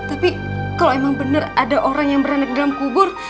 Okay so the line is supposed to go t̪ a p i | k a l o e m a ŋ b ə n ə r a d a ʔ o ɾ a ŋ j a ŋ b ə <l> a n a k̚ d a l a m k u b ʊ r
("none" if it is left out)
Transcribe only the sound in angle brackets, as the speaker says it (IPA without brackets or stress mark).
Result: ɾ